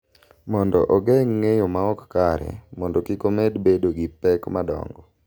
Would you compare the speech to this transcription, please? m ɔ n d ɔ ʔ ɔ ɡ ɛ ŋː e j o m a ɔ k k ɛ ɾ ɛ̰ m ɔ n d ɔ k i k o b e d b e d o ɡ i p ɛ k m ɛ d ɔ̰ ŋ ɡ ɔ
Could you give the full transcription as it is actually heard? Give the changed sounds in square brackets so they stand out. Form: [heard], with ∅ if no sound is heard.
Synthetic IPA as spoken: m ɔ n d ɔ ʔ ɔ ɡ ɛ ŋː e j o m a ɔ k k [a] ɾ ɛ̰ m ɔ n d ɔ k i k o [m] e d b e d o ɡ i p ɛ k m [a] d ɔ̰ ŋ ɡ ɔ